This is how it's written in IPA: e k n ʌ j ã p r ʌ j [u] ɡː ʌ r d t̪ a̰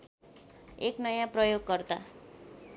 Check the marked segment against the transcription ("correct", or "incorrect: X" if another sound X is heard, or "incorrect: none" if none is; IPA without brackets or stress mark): incorrect: o